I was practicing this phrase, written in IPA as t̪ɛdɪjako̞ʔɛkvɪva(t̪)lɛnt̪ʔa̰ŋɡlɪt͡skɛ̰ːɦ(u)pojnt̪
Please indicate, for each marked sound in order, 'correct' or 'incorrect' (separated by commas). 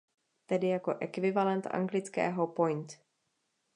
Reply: incorrect, incorrect